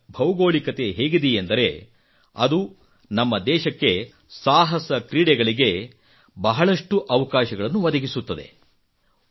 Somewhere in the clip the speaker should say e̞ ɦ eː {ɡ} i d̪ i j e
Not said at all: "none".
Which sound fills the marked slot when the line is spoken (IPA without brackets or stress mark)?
ɡ